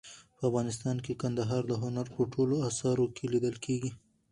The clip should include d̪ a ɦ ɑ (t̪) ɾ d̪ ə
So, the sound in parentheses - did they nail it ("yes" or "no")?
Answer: no